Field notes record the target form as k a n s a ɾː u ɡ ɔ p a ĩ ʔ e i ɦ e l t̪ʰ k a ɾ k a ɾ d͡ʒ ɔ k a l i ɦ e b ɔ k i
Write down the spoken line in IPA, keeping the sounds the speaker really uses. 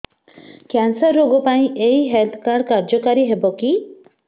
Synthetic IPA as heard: k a n s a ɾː o ɡ ɔ p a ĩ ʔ e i ɦ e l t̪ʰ k a ɾ k a ɾ d͡ʒ ɔ k a ɾ i ɦ e b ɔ k i